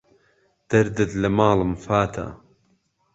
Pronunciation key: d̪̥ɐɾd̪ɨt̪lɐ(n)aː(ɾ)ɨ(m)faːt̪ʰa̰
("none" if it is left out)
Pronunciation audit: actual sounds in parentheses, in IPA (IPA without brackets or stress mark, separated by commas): m, l, m